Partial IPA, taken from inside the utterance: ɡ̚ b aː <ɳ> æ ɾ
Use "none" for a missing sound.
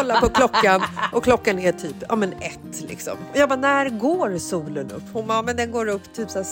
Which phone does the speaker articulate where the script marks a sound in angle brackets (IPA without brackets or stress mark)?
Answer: n